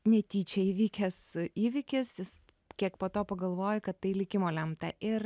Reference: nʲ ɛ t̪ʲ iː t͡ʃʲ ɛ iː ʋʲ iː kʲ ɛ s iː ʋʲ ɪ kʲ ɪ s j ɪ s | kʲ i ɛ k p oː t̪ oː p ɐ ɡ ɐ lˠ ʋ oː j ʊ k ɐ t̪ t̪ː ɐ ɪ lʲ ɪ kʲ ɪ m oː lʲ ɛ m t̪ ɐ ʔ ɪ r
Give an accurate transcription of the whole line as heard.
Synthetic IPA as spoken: nʲ ɛ t̪ʲ iː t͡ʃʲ ɛ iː ʋʲ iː kʲ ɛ s iː ʋʲ ɪ kʲ ɪ s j ɪ s | kʲ i ɛ k p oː t̪ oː p ɐ ɡ ɐ lˠ ʋ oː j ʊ k ɐ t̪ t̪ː ɐ ɪ lʲ ɪ kʲ ɪ m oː lʲ ɛ m t̪ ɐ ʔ ɪ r